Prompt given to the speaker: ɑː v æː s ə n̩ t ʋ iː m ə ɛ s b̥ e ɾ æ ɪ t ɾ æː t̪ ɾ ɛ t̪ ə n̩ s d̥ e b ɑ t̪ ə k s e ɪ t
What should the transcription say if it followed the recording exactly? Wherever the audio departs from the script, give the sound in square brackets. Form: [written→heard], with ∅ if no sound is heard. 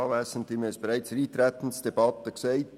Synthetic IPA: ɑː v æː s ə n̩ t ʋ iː m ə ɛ s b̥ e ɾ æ ɪ [t→t͡s] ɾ [æː→iː] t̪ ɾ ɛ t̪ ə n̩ s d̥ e b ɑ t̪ ə k s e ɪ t